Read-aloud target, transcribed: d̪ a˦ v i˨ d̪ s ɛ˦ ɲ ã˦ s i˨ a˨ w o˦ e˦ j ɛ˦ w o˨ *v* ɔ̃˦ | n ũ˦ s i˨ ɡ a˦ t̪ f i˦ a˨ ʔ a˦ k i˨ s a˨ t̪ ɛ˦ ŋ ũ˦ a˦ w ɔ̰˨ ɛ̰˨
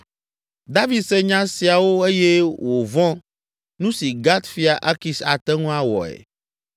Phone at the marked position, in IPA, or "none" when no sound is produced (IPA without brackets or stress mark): v